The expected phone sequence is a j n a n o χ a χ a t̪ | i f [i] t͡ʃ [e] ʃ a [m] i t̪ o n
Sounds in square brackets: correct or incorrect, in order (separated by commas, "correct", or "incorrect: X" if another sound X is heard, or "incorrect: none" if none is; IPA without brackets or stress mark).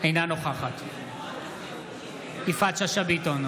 incorrect: a, incorrect: a, incorrect: b